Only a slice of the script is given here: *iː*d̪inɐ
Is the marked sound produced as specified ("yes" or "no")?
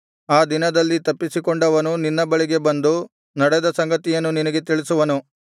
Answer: no